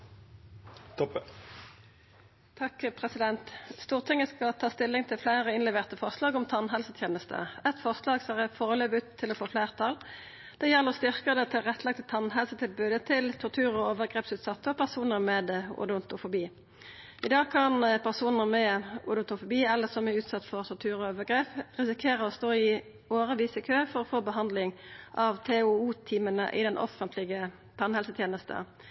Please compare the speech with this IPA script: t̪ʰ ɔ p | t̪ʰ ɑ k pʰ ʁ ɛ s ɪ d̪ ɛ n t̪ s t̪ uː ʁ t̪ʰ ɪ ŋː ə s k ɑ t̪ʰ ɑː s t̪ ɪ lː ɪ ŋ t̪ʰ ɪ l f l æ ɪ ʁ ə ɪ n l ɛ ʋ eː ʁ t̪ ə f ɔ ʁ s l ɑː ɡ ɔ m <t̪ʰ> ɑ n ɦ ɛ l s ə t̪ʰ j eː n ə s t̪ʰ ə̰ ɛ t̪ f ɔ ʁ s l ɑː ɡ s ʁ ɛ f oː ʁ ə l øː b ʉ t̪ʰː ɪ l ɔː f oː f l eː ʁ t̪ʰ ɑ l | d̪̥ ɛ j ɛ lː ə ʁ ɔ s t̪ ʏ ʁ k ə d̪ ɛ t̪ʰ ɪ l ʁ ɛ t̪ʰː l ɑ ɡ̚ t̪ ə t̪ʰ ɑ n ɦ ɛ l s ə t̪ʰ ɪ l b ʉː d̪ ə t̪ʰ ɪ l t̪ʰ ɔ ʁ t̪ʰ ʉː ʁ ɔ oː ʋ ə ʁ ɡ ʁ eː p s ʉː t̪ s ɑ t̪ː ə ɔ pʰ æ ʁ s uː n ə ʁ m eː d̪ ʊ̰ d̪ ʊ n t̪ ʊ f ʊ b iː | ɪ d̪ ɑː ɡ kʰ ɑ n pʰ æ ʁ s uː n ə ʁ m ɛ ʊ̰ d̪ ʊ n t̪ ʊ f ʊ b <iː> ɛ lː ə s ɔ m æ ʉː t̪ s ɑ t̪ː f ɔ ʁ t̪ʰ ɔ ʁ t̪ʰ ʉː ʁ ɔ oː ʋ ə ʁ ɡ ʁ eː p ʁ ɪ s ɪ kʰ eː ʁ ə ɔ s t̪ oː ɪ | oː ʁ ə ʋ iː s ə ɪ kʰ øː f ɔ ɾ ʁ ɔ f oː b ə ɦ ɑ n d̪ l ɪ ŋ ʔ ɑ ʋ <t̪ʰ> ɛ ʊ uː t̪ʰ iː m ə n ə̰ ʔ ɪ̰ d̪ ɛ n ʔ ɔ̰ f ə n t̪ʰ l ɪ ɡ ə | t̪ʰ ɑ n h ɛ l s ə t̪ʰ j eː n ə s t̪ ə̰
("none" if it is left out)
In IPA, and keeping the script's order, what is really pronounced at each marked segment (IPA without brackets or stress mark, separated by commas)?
t̪ʰ, iː, t̪ʰ